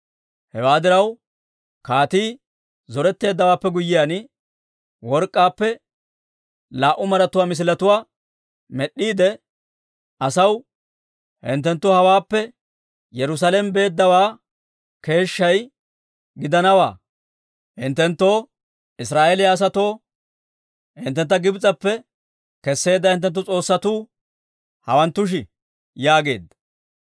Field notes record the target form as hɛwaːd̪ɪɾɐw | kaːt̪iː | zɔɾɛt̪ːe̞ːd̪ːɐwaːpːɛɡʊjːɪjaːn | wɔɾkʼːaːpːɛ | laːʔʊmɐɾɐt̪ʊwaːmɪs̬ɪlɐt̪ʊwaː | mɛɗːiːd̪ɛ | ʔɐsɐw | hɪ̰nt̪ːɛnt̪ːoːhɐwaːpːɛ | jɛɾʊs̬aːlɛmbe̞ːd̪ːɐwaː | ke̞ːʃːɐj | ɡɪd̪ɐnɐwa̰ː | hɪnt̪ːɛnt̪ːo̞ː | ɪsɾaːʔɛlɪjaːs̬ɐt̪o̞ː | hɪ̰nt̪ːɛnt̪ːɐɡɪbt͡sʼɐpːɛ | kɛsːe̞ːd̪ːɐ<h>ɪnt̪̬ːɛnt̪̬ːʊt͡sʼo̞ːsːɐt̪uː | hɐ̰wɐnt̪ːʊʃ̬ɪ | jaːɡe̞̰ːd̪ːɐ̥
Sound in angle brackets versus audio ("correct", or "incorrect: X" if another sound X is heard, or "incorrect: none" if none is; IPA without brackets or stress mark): correct